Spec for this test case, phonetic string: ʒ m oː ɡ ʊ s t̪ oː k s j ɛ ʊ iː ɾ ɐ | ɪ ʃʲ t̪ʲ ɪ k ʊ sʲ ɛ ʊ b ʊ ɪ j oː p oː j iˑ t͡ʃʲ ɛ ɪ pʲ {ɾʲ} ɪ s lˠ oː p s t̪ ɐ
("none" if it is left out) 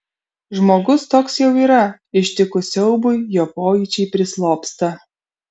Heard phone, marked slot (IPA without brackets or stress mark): ɾʲ